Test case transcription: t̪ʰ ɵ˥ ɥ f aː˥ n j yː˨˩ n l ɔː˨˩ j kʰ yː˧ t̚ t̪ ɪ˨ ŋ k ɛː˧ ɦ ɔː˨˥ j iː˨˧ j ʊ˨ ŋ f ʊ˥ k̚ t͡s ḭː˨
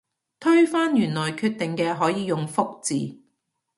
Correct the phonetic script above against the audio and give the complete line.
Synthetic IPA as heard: t̪ʰ ɵ˥ ɥ f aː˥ n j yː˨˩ n l ɔː˨˩ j kʰ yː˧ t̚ t̪ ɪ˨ ŋ k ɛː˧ ɦ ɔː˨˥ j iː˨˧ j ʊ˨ ŋ f ʊ˥ k̚ t͡s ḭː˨